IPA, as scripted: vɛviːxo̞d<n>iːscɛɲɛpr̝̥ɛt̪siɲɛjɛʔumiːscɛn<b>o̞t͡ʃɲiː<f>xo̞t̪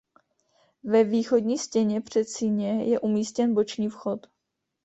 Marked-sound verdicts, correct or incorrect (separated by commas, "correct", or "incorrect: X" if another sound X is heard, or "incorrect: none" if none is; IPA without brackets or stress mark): incorrect: ɲ, correct, correct